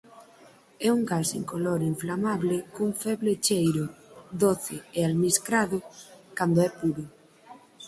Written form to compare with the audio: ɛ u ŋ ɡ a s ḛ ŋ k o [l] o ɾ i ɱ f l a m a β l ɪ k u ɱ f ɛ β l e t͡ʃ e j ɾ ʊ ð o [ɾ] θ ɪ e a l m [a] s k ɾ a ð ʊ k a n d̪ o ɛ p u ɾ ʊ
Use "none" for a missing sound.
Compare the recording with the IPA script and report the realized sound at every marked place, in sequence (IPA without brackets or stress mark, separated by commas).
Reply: l, none, i